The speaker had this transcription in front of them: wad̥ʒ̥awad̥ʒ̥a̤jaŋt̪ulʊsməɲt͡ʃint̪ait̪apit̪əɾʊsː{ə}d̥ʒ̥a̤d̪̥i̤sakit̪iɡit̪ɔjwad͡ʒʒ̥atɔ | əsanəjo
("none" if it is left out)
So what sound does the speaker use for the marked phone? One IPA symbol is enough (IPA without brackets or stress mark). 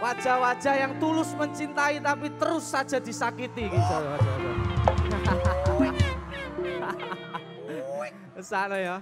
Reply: a